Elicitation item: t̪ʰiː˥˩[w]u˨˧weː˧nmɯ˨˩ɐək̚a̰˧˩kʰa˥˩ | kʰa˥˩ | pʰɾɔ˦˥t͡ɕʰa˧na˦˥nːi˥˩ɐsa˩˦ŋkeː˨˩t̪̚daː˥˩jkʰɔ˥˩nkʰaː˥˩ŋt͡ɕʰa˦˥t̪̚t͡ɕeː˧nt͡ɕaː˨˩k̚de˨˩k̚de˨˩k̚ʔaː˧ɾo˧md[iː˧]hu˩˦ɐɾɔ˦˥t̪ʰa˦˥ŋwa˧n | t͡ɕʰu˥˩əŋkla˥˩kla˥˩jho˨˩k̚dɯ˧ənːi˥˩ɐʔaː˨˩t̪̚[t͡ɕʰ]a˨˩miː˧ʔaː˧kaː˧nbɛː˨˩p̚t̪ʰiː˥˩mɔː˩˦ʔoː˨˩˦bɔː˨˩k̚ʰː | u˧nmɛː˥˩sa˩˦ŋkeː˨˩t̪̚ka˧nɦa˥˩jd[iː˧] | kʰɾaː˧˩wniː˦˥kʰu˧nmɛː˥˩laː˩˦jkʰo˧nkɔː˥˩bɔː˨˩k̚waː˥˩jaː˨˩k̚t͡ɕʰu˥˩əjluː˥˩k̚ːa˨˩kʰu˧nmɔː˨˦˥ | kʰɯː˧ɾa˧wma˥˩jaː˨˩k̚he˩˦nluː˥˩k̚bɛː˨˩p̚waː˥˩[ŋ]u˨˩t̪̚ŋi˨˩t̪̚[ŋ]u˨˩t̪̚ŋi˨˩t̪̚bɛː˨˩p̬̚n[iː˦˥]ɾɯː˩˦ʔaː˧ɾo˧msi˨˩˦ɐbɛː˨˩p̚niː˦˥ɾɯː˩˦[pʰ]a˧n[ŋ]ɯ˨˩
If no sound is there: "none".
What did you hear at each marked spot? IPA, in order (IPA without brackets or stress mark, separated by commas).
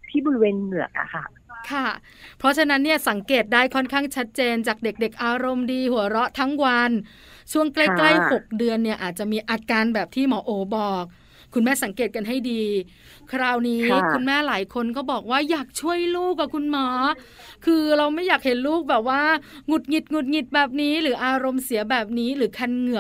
b, iː˧, t͡ɕ, iː˧, ŋ, ŋ, iː˦˥, kʰ, ŋ